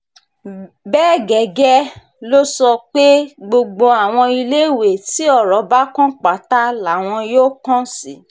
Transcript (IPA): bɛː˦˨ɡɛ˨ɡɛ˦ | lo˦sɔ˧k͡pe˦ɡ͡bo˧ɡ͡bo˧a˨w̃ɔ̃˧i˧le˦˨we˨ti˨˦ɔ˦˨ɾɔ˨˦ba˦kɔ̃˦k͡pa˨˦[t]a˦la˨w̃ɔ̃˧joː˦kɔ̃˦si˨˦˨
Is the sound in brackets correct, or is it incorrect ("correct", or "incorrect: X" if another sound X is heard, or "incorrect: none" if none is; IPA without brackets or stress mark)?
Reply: correct